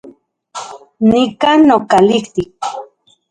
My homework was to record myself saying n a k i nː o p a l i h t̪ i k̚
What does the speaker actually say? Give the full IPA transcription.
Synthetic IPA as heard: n i k a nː o k a l i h t̪ i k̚